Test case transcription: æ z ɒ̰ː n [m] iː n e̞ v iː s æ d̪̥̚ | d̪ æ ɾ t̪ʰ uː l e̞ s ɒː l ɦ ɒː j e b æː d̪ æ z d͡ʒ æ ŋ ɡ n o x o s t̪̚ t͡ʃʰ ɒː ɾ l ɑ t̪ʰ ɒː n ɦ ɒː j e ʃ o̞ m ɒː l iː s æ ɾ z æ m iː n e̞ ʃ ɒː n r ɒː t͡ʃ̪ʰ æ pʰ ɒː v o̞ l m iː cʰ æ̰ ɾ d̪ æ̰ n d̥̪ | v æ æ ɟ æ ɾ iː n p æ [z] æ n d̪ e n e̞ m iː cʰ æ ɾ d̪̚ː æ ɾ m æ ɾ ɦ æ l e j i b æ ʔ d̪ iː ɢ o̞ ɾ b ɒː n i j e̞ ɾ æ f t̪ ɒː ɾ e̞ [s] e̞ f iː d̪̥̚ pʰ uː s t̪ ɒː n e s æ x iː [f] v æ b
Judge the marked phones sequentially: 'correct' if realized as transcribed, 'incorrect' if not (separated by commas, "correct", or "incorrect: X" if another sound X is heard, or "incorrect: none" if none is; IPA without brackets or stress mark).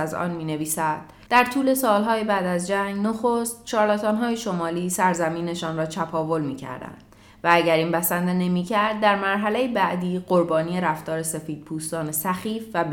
correct, incorrect: s, correct, correct